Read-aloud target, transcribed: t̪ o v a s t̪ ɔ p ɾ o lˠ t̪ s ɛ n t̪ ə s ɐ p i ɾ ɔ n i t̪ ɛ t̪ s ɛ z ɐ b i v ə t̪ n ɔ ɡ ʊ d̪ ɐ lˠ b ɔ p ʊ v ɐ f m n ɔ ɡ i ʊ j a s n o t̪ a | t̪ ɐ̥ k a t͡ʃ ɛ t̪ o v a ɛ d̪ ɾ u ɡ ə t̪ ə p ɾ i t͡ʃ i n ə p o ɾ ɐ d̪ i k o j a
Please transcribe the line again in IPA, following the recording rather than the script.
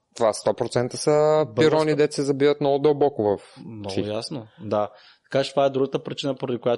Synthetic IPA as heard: t̪ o v a s t̪ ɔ p ɾ o t̪ s ɛ n t̪ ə s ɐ p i ɾ ɔ n i d̪ ɛ t̪ s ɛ z ɐ b i v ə t̪ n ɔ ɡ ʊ d̪ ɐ lˠ b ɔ k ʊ v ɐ f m n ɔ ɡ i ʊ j a s n o d̪ a | t̪ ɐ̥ k a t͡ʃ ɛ t̪ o v a ɛ d̪ ɾ u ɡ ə t̪ ə p ɾ i t͡ʃ i n ə p o ɾ ɐ d̪ i k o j a